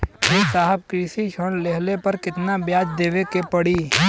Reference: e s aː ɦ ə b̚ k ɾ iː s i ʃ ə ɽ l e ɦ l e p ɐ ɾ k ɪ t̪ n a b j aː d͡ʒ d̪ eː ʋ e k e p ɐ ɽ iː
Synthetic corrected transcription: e s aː ɦ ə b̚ k ɾ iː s i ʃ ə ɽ l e ɦ l e p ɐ ɾ k ɪ t̪ n a b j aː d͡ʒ d̪ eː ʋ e k e p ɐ ɽ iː